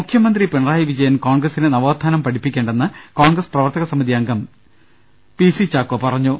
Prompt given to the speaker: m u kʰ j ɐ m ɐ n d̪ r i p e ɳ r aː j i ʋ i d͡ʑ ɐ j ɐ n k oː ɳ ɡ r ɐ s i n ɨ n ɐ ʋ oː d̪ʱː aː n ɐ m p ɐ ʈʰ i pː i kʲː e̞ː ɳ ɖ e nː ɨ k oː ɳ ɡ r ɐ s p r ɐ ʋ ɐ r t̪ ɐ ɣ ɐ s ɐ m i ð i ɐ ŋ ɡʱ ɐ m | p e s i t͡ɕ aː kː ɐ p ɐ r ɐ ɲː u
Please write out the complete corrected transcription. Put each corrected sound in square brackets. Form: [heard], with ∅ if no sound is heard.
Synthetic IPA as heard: m u kʰ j ɐ m ɐ n d̪ r i p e ɳ r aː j i ʋ i d͡ʑ ɐ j ɐ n k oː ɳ ɡ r ɐ s i n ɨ n ɐ ʋ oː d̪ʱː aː n ɐ m p ɐ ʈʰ i pː i kʲː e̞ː ɳ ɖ e nː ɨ k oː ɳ ɡ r ɐ s p r ɐ ʋ ɐ r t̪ ɐ ɣ ɐ s ɐ m i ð i ɐ ŋ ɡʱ ɐ m | p [i] s i t͡ɕ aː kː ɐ p ɐ r ɐ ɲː u